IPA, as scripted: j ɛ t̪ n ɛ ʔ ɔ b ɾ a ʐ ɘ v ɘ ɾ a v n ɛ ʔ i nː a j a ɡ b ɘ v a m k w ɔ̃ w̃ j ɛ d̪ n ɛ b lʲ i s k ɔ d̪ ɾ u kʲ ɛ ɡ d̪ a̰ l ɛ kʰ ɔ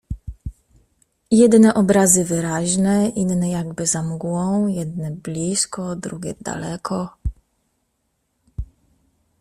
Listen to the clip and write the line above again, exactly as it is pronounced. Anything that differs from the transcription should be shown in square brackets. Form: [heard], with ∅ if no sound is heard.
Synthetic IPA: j ɛ [d̪] n ɛ ʔ ɔ b ɾ a [z] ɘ v ɘ ɾ a [ʑ] n ɛ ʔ i nː [ɛ] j a ɡ b ɘ [z] a m [ɡ] w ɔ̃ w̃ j ɛ d̪ n ɛ b lʲ i s k ɔ d̪ ɾ u [ɡʲ] ɛ [∅] d̪ a̰ l ɛ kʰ ɔ

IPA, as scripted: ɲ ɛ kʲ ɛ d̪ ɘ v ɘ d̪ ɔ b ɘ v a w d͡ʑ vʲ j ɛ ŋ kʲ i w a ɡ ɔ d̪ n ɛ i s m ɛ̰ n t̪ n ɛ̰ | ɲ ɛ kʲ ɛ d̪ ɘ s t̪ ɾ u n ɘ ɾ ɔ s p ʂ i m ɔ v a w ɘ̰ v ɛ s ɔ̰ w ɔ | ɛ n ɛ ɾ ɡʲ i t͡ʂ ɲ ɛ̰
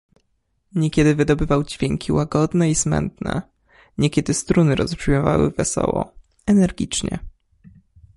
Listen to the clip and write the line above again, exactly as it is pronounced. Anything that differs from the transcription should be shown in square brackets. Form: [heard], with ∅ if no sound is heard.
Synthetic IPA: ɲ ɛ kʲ ɛ d̪ ɘ v ɘ d̪ ɔ b ɘ v a w d͡ʑ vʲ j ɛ ŋ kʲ i w a ɡ ɔ d̪ n ɛ i s m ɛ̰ n t̪ n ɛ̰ | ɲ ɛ kʲ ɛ d̪ ɘ s t̪ ɾ u n ɘ ɾ ɔ s p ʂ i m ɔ v a w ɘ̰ v ɛ s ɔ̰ w ɔ | ɛ n ɛ ɾ ɡʲ i t͡ʂ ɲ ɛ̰

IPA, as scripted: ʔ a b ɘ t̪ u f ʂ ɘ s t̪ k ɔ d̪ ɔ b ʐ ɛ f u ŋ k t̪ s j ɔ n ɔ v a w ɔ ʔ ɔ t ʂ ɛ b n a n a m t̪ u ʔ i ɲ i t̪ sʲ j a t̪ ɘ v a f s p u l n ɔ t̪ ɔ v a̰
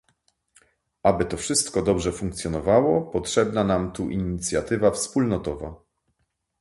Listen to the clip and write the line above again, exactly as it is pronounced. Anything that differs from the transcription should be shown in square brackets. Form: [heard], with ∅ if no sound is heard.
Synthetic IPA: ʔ a b ɘ t̪ [ɔ] f ʂ ɘ s t̪ k ɔ d̪ ɔ b ʐ ɛ f u ŋ k t̪ s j ɔ n ɔ v a w ɔ [p] ɔ t ʂ ɛ b n a n a m t̪ u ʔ i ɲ i t̪ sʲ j a t̪ ɘ v a f s p u l n ɔ t̪ ɔ v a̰

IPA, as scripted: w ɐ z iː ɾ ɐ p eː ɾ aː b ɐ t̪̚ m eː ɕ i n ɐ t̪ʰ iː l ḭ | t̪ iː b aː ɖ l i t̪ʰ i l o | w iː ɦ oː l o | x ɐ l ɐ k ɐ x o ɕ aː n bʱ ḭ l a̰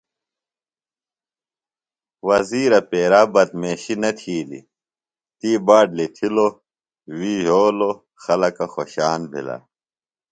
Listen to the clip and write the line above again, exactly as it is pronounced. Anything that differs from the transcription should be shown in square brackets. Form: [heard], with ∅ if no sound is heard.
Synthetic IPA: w ɐ z iː ɾ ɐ p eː ɾ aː b ɐ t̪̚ m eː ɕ i n ɐ t̪ʰ iː l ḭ | t̪ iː b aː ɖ l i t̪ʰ i l o | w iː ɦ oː l o | x ɐ l ɐ k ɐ x o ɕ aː n bʱ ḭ l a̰

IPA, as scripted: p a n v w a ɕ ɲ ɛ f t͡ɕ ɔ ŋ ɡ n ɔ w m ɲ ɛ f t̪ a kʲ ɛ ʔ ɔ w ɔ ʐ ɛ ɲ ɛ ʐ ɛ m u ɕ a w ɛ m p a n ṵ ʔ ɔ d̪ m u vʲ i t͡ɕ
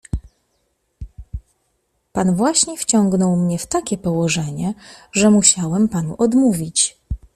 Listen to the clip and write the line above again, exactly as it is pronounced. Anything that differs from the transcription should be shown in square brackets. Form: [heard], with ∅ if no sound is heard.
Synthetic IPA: p a n v w a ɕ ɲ ɛ f t͡ɕ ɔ ŋ ɡ n ɔ w m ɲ ɛ f t̪ a kʲ ɛ [p] ɔ w ɔ ʐ ɛ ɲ ɛ ʐ ɛ m u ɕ a w ɛ m p a n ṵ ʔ ɔ d̪ m u vʲ i t͡ɕ

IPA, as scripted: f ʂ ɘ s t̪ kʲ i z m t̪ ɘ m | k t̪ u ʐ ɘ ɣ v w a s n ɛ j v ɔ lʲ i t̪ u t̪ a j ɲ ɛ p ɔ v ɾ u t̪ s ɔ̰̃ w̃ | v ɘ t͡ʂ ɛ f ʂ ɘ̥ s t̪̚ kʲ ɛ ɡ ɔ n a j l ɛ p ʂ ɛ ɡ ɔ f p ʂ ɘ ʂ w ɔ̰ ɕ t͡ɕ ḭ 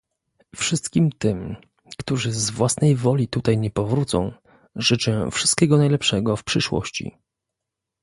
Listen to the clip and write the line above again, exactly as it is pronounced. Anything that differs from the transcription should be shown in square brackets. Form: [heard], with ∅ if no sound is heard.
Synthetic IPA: f ʂ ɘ s t̪ kʲ i [∅] m t̪ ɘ m | k t̪ u ʐ ɘ [z] v w a s n ɛ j v ɔ lʲ i t̪ u t̪ a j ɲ ɛ p ɔ v ɾ u t̪ s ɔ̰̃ w̃ | [ʐ] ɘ t͡ʂ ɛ f ʂ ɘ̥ s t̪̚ kʲ ɛ ɡ ɔ n a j l ɛ p ʂ ɛ ɡ ɔ f p ʂ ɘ ʂ w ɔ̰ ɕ t͡ɕ ḭ

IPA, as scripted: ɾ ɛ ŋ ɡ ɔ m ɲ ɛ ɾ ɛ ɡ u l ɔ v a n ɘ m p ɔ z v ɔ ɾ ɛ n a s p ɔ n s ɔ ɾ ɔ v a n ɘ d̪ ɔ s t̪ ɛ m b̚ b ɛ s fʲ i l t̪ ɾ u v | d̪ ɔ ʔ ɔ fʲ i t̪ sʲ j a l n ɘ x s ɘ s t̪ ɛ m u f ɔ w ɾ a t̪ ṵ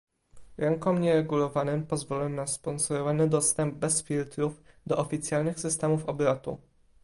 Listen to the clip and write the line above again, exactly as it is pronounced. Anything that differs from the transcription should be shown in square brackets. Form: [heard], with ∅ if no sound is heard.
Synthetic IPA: ɾ ɛ ŋ [k] ɔ m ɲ ɛ ɾ ɛ ɡ u l ɔ v a n ɘ m p ɔ z v ɔ [l] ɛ n a s p ɔ n s ɔ ɾ ɔ v a n ɘ d̪ ɔ s t̪ ɛ m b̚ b ɛ s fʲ i l t̪ ɾ u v | d̪ ɔ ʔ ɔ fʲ i t̪ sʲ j a l n ɘ x s ɘ s t̪ ɛ m u f ɔ [b] ɾ a t̪ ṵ

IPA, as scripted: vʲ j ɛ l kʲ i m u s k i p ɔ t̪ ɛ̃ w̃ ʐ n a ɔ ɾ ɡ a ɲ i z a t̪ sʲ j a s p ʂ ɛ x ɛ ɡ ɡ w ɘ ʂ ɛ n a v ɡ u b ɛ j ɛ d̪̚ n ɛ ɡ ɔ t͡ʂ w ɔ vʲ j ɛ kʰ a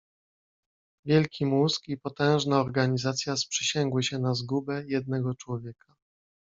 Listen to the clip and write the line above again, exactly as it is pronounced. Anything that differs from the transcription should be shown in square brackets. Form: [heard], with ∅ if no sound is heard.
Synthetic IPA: vʲ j ɛ l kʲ i m u s k i p ɔ t̪ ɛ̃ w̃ ʐ n a ɔ ɾ ɡ a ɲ i z a t̪ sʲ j a s p ʂ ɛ [ɕ] ɛ [ŋ] ɡ w ɘ [ɕ] ɛ n a [z] ɡ u b ɛ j ɛ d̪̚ n ɛ ɡ ɔ t͡ʂ w ɔ vʲ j ɛ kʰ a

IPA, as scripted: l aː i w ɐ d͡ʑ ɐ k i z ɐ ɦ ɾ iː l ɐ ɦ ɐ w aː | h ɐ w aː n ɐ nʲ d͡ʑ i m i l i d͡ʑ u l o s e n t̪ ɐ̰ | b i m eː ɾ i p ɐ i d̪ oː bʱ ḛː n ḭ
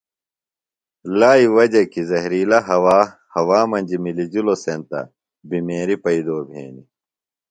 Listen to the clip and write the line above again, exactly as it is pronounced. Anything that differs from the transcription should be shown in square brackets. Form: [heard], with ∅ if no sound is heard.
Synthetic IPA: l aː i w ɐ d͡ʑ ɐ k i z ɐ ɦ ɾ iː l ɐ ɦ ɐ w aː | h ɐ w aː [m] ɐ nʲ d͡ʑ i m i l i d͡ʑ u l o s e n t̪ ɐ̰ | b i m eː ɾ i p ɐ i d̪ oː bʱ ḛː n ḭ

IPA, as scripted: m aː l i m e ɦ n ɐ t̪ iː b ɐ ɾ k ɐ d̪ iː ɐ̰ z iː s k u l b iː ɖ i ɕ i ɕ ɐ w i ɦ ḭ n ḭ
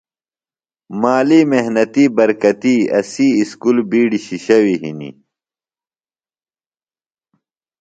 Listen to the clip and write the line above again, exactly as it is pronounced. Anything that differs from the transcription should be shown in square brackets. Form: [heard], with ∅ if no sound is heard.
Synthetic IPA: m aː l i m e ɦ n ɐ t̪ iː b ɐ ɾ k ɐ [t̪] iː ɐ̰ [s] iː s k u l b iː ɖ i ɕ i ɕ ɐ w i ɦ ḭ n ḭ

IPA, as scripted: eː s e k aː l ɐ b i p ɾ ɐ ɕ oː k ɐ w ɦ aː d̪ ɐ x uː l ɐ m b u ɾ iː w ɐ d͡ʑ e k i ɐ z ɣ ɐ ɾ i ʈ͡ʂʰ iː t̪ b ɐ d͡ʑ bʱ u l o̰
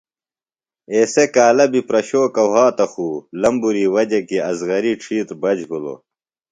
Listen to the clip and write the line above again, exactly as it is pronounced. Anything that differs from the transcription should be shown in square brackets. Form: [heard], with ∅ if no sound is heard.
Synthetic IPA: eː s e k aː l ɐ b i p ɾ ɐ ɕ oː k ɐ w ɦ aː [t̪] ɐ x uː l ɐ m b u ɾ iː w ɐ d͡ʑ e k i ɐ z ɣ ɐ ɾ i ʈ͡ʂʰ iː t̪ b ɐ d͡ʑ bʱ u l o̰

